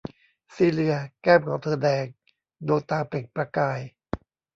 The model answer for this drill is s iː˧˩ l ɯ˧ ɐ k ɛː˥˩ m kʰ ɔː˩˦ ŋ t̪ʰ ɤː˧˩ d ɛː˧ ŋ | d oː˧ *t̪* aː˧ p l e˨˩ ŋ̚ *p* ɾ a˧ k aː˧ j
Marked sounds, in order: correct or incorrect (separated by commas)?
correct, correct